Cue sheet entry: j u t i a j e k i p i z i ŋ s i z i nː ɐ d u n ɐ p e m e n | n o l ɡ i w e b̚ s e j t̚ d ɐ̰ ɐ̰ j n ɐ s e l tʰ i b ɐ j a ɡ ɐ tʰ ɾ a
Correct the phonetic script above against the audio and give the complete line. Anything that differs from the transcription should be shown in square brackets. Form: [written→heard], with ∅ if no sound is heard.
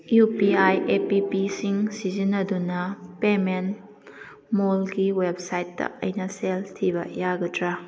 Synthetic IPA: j u [t→p] i a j e [k→p] i p i [z→s] i ŋ s i z i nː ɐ d u n ɐ p e m e n | [n→m] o l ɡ i w e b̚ s [e→a] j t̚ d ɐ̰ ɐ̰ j n ɐ s e l tʰ i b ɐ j a ɡ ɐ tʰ ɾ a